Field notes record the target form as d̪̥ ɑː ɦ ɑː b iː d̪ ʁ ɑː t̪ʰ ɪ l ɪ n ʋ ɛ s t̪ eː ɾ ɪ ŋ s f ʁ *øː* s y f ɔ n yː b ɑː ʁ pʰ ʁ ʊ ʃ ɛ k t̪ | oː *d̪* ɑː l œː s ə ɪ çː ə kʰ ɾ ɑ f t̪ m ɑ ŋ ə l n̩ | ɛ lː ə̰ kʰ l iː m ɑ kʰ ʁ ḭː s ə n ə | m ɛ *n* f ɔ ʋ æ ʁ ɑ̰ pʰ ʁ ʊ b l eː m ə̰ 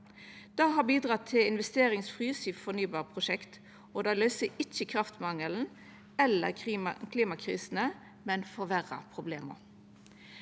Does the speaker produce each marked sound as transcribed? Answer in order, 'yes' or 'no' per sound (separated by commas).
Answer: no, yes, yes